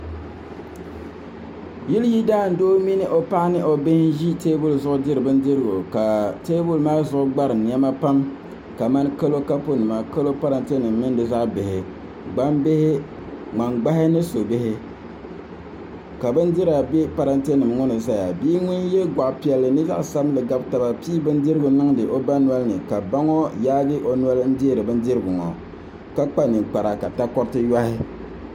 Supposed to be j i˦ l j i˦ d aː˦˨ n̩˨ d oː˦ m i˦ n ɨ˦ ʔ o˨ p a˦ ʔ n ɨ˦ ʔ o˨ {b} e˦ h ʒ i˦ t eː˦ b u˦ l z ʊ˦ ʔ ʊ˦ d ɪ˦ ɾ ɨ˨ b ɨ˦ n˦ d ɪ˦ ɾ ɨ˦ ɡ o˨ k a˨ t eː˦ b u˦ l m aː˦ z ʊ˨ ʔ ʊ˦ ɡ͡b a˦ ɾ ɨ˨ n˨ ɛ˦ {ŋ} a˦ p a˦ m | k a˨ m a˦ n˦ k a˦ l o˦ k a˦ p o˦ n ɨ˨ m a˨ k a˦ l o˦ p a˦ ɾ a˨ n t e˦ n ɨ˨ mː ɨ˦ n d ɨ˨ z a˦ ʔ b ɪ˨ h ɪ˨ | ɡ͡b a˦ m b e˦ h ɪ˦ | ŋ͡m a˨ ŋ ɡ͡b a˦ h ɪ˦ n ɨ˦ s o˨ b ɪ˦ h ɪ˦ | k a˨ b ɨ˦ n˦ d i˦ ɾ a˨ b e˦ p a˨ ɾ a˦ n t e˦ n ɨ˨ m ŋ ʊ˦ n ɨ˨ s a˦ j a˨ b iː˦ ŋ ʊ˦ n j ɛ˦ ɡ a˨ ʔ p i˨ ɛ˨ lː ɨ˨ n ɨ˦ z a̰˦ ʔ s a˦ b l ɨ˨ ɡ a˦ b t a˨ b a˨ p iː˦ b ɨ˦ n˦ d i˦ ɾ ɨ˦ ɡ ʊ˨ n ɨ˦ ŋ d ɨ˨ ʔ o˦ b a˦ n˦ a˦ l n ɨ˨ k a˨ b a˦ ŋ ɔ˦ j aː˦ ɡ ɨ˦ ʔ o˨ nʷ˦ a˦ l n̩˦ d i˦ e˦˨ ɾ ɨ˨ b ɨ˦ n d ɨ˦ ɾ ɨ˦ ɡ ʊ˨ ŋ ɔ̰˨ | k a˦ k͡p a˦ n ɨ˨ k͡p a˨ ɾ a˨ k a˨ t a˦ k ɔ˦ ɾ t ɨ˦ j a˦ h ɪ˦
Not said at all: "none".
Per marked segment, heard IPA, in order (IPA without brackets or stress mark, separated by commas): b, m